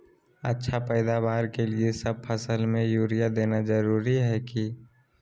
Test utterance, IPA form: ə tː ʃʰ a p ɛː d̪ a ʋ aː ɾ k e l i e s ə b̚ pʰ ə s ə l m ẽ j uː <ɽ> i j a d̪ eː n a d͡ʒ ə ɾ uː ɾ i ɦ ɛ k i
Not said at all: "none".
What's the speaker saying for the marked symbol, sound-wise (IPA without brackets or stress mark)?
ɾ